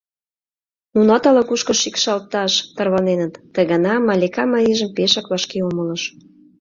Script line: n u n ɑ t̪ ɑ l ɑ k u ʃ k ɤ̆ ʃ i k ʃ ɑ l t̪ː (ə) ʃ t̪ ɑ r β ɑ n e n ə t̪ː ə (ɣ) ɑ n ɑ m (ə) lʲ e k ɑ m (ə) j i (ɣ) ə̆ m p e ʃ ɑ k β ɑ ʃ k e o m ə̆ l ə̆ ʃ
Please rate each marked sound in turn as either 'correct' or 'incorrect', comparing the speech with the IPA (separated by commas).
incorrect, correct, incorrect, incorrect, incorrect